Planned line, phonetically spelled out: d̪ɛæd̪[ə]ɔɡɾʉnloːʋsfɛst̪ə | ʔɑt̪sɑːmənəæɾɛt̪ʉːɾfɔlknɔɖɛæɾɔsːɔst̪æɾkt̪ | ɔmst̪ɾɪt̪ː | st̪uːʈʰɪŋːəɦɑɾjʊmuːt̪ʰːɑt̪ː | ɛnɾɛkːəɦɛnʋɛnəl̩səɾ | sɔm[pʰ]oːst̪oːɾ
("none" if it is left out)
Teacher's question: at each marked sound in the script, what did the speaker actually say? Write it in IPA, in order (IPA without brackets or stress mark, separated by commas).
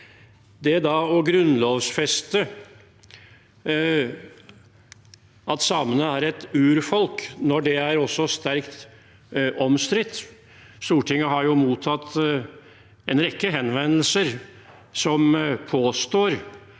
ɑ, pʰ